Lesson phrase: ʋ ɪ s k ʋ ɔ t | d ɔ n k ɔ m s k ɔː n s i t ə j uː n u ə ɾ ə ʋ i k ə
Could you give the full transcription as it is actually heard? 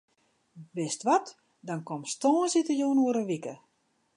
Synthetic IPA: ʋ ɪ s t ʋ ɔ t | d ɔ n k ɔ m s t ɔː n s i t ə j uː n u ə ɾ ə ʋ i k ə